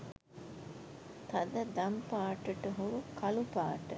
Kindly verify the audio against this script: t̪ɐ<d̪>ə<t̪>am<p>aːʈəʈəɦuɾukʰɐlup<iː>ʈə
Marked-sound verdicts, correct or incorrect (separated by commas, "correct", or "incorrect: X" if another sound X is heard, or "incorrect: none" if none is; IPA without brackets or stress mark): correct, incorrect: d̪, correct, incorrect: aː